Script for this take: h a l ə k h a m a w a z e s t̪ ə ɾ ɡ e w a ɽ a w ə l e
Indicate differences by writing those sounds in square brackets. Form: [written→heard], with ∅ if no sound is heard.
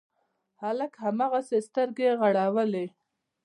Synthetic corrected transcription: h a l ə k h a m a [w→ɣ] a [z→s] e s t̪ ə ɾ ɡ e [w→ɣ] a ɽ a w ə l e